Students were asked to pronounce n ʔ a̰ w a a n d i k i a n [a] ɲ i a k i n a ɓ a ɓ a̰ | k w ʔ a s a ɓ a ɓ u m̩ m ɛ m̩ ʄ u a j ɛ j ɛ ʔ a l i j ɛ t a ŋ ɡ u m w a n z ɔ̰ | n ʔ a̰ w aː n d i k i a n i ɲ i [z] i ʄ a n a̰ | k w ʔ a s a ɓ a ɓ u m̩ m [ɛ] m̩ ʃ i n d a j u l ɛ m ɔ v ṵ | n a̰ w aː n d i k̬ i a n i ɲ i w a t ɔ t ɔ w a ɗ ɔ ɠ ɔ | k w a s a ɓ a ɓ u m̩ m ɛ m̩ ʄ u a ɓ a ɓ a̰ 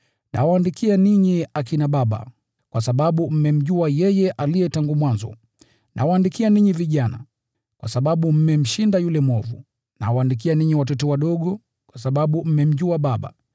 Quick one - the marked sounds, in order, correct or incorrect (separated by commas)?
incorrect, incorrect, correct